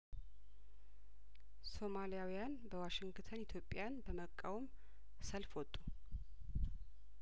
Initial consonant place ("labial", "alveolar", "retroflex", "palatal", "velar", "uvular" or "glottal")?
alveolar